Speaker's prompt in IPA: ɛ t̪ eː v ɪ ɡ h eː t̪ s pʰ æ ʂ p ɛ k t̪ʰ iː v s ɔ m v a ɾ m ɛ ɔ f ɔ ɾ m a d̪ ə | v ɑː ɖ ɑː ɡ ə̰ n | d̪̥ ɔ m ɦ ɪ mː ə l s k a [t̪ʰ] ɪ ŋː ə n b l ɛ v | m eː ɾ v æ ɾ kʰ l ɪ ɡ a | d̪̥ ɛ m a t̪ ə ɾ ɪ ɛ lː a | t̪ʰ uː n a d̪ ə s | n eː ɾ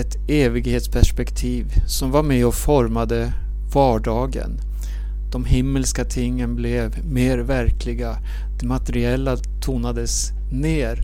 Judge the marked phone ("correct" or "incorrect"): correct